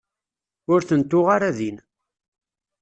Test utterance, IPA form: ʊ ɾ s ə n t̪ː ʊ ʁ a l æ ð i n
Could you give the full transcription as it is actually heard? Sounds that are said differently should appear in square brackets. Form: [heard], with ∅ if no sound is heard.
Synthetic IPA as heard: ʊ ɾ [θ] ə n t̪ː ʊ ʁ a [ɾ] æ ð i n